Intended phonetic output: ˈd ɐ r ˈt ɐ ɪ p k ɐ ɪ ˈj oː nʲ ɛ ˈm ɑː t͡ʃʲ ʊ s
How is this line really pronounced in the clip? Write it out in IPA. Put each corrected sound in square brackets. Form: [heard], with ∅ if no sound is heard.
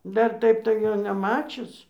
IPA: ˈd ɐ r ˈt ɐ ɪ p [t] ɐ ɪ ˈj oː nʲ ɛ ˈm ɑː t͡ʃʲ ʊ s